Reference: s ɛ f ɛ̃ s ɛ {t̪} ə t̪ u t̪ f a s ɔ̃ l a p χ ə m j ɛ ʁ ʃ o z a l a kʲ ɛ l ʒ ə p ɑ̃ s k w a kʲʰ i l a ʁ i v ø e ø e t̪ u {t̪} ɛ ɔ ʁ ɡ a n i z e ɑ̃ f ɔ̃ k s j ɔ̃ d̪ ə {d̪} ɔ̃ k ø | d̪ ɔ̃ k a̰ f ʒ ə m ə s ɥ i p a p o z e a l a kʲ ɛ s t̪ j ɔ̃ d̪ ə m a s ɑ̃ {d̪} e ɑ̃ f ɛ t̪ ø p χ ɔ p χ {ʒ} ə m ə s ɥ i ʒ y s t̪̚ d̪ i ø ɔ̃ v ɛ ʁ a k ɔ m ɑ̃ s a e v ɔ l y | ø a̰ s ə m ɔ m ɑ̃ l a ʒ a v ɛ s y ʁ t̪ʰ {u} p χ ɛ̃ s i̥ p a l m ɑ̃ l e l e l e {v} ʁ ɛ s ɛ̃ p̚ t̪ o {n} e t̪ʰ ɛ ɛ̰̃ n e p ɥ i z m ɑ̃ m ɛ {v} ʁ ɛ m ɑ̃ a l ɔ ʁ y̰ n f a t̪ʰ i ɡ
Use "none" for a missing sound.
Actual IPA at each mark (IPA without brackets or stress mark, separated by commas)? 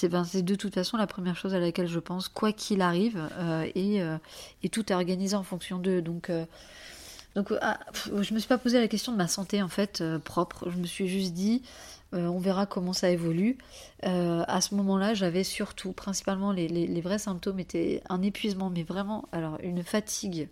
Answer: d̪, t̪, d̪, t̪, ʒ, u, v, m, v